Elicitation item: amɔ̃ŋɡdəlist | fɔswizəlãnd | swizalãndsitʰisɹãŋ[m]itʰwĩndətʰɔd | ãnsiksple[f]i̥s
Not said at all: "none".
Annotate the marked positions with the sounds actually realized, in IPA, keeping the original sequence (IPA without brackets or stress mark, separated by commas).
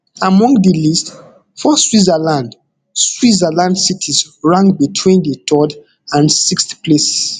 b, s